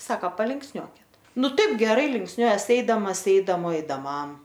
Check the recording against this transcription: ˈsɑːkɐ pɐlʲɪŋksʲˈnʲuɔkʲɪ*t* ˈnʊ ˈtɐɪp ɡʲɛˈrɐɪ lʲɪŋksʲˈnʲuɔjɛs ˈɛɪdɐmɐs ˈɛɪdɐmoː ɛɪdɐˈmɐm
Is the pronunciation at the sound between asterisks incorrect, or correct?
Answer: correct